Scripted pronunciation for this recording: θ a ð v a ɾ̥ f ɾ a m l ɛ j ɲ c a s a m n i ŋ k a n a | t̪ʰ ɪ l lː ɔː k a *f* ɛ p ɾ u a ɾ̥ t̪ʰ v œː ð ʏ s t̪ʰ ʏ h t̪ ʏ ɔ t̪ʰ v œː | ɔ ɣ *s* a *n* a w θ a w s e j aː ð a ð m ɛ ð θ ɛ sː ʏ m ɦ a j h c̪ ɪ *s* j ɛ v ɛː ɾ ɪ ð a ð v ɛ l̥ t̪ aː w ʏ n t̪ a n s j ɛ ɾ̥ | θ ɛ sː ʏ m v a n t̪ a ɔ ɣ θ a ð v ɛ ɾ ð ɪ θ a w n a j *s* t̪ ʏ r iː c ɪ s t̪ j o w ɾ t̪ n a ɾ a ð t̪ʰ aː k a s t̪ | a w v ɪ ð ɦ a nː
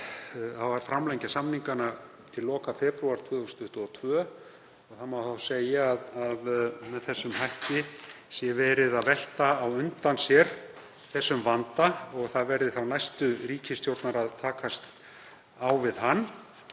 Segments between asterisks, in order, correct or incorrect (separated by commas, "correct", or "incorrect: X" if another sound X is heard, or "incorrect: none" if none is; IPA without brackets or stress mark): correct, incorrect: θ, incorrect: m, correct, correct